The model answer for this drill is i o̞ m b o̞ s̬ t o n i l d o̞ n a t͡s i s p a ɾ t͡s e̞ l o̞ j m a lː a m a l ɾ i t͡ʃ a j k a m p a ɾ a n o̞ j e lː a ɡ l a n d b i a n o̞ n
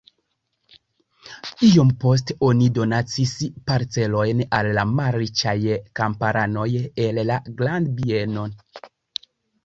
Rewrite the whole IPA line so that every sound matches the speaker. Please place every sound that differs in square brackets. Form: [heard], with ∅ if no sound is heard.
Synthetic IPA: i o̞ m [p] o̞ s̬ t o n i [∅] d o̞ n a t͡s i s p a ɾ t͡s e̞ l o̞ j [n] a lː a m a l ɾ i t͡ʃ a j k a m p a ɾ a n o̞ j e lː a ɡ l a n d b i [e] n o̞ n